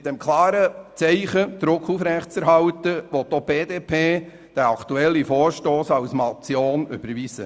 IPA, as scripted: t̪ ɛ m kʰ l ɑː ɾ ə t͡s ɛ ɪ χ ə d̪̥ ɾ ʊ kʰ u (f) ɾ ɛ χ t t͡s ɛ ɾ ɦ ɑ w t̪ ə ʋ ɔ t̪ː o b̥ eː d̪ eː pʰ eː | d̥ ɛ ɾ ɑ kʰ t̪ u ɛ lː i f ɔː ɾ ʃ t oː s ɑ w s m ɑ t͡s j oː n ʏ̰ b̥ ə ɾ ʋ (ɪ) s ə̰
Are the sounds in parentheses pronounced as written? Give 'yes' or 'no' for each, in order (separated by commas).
yes, no